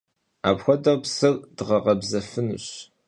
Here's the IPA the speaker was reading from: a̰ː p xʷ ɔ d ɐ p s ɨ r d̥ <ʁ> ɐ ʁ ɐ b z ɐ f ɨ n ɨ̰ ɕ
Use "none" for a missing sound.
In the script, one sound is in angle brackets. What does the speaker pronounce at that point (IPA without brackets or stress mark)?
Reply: ʁ